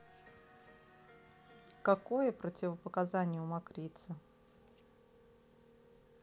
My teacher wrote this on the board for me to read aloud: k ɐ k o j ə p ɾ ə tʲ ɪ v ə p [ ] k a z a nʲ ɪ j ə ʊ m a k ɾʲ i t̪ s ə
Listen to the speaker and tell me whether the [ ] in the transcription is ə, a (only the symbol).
ə